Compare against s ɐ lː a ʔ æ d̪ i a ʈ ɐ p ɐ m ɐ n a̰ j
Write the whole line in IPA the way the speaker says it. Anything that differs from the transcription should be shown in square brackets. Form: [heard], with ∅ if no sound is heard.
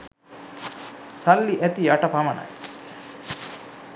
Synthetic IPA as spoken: s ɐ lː [i] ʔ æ [t̪] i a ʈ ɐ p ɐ m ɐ n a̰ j